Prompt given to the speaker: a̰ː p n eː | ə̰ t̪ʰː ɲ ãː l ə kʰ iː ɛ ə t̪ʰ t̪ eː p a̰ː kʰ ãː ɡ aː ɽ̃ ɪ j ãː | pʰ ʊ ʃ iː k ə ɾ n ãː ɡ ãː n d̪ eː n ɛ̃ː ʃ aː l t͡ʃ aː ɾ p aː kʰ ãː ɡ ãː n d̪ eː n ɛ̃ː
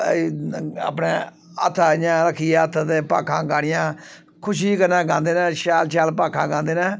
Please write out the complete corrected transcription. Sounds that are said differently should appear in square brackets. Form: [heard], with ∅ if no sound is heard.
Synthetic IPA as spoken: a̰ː p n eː | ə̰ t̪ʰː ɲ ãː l ə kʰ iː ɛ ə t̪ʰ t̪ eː p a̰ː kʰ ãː ɡ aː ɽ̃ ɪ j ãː | [kʰ] ʊ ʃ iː k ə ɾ n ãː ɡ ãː n d̪ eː n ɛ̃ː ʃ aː l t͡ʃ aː [l] p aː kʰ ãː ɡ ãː n d̪ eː n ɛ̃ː